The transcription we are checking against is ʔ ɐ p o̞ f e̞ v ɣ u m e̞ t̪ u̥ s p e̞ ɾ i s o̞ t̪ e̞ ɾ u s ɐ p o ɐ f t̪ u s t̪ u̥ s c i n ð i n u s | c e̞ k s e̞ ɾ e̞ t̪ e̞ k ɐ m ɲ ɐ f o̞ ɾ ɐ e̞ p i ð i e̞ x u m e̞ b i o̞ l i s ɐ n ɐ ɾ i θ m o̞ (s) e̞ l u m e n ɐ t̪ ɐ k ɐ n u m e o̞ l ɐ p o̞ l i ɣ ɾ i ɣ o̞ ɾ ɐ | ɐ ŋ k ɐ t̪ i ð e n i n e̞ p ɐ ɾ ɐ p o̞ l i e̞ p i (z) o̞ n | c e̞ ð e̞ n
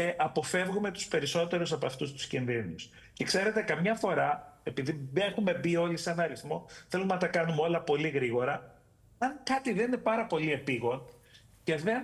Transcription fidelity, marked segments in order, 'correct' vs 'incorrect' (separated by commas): incorrect, incorrect